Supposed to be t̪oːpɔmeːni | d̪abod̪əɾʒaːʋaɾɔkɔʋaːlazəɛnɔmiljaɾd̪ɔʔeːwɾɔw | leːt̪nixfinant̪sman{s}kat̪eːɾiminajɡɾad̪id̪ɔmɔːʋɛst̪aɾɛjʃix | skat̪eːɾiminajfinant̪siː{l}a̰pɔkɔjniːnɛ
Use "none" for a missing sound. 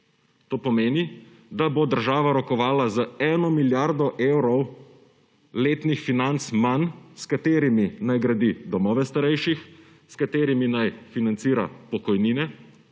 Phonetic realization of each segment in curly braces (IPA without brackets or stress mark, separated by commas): s, ɾ